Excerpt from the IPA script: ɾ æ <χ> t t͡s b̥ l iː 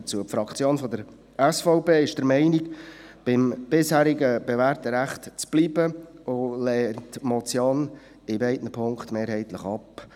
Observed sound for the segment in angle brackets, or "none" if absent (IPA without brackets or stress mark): χ